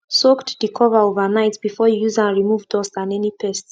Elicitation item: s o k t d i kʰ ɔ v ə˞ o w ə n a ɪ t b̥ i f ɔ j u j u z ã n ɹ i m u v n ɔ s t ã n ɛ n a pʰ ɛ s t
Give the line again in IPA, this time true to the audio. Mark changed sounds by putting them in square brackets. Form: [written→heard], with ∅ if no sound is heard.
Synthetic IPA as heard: s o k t d i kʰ ɔ v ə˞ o [w→v] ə n a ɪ t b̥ i f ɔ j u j u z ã n ɹ i m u v [n→d] ɔ s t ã n ɛ n [a→i] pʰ ɛ s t